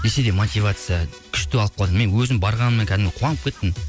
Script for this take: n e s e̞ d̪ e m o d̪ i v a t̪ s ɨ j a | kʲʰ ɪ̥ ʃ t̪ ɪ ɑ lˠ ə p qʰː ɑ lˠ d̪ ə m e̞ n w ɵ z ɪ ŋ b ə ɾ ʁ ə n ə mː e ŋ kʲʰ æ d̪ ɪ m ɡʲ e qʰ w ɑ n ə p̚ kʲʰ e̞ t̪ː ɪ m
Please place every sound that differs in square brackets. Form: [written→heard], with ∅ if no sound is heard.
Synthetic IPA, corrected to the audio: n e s e̞ d̪ e m o [d̪→t̪] i v a t̪ s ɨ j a | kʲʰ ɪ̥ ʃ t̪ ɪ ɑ lˠ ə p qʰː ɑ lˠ d̪ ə m e̞ n w ɵ z ɪ [ŋ→m] b [ə→ɑ] ɾ ʁ [ə→ɑ] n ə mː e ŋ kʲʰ æ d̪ ɪ m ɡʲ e qʰ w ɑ n ə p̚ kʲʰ e̞ t̪ː ɪ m